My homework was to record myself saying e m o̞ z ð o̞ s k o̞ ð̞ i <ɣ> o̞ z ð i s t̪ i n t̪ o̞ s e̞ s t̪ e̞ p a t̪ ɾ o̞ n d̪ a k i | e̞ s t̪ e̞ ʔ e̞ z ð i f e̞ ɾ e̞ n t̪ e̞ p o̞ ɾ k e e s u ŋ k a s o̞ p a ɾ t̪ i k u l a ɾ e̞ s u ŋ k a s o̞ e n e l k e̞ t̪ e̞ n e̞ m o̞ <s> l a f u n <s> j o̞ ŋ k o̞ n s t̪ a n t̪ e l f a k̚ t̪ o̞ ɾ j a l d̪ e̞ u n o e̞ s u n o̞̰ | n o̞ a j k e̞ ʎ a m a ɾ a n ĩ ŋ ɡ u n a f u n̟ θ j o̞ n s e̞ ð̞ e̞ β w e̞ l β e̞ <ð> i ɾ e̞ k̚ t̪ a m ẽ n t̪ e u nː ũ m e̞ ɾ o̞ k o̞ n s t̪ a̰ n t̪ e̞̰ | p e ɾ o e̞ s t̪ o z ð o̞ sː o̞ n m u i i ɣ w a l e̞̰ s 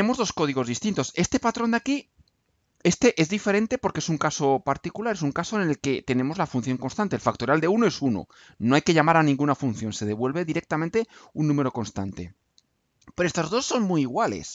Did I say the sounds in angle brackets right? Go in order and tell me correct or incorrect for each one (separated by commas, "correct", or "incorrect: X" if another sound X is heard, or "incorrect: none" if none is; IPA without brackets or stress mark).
correct, incorrect: z, incorrect: θ, correct